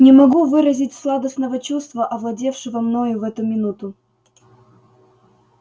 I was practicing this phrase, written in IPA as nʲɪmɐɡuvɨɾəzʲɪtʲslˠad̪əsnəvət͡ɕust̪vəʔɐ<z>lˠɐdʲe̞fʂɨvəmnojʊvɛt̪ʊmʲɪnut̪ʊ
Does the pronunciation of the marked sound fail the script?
yes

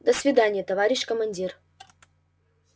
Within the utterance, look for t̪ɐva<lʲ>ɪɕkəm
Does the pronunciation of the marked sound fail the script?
yes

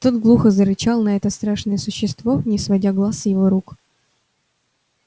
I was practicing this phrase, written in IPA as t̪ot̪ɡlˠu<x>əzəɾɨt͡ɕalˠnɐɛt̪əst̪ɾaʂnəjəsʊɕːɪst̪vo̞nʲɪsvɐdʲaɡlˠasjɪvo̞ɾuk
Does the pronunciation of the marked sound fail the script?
no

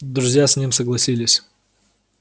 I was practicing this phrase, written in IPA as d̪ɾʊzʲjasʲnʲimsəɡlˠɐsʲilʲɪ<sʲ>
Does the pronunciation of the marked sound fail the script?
no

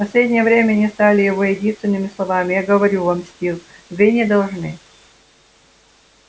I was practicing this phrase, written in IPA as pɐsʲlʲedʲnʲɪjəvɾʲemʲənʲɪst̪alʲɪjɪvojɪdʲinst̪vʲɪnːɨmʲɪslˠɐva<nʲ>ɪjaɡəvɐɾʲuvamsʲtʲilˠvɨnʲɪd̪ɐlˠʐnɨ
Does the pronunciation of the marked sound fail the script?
yes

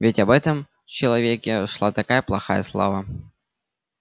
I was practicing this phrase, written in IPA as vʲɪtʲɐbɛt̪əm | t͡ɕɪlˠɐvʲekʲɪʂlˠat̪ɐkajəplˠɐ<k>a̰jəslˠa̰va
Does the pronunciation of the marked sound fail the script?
yes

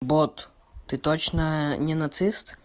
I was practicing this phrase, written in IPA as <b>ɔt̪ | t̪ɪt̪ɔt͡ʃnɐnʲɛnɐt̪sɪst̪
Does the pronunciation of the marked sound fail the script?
no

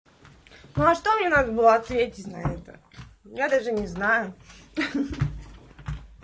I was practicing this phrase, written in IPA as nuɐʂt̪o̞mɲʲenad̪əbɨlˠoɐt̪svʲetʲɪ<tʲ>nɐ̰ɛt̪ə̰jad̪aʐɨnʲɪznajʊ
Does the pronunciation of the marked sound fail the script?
no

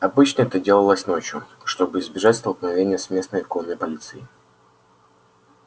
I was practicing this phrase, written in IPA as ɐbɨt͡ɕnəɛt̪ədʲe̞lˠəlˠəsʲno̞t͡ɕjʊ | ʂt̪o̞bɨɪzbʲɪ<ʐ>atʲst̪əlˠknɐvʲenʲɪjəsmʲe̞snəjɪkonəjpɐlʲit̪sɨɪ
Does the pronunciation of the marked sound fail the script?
no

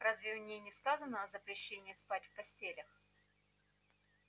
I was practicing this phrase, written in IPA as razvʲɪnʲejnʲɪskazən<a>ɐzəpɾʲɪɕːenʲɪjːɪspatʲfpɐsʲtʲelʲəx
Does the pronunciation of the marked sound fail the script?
yes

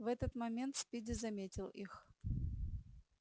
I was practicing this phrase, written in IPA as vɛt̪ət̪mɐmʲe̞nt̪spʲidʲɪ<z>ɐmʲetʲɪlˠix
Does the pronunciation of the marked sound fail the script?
no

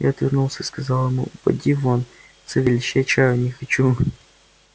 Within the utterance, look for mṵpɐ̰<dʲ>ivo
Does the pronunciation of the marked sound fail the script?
no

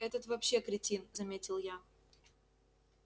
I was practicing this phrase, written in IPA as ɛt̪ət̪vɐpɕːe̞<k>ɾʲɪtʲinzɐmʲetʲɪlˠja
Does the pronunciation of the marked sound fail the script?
no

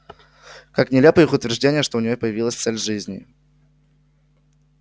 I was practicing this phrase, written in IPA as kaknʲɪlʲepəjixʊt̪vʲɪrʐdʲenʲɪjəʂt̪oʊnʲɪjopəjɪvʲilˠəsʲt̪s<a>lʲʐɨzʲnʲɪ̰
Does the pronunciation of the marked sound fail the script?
yes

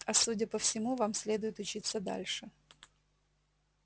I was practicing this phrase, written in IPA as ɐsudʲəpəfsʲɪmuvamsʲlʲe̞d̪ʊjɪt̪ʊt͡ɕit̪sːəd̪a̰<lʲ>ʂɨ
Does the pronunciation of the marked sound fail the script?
no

